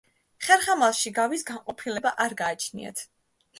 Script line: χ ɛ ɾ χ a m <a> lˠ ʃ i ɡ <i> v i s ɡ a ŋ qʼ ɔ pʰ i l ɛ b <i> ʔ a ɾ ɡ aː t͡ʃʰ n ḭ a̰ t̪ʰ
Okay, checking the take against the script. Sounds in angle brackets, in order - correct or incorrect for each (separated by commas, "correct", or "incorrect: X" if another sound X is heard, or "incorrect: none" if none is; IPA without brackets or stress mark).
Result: correct, incorrect: a, incorrect: a